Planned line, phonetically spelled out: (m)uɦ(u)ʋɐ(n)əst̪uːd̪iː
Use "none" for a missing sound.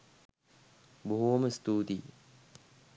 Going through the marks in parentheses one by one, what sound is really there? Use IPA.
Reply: b, u, m

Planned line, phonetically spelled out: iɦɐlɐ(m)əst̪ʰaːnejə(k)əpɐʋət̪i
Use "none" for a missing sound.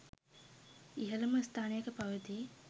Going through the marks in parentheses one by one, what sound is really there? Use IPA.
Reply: m, k

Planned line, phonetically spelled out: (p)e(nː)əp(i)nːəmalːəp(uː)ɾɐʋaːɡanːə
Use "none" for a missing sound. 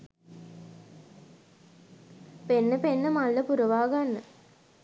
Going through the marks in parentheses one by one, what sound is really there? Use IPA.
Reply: p, nː, e, u

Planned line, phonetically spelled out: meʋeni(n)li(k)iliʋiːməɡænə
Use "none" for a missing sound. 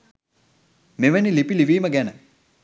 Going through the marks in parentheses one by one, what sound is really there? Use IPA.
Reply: none, p

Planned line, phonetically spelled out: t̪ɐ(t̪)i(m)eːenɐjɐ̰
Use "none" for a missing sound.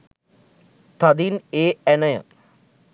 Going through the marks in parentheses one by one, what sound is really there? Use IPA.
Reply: d̪, n

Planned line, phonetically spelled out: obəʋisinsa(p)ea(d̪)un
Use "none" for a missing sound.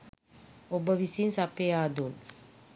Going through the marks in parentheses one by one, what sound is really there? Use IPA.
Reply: p, d̪

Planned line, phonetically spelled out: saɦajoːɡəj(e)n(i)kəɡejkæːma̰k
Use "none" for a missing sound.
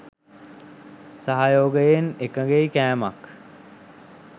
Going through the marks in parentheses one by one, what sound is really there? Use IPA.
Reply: e, e

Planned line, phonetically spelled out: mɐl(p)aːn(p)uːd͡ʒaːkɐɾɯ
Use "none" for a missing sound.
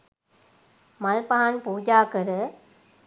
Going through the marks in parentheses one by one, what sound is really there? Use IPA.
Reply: p, p

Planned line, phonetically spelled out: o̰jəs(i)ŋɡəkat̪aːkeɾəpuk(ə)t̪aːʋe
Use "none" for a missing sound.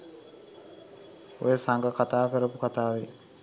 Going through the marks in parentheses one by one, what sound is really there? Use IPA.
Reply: a, a

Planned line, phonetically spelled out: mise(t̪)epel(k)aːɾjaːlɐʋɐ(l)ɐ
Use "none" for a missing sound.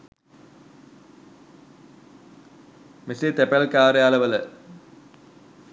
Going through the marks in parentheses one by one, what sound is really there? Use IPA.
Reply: t̪, k, l

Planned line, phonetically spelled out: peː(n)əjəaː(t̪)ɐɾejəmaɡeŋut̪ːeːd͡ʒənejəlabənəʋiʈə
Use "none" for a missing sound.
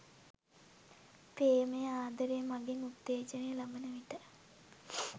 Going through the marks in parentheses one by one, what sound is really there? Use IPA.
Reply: m, d̪

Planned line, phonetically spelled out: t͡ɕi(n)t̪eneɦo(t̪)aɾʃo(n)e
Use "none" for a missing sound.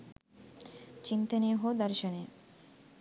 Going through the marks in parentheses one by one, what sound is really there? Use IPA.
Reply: n, d̪, n

